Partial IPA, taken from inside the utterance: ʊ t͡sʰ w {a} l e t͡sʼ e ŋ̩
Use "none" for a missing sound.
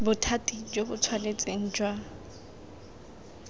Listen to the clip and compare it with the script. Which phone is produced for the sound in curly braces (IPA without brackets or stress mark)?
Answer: a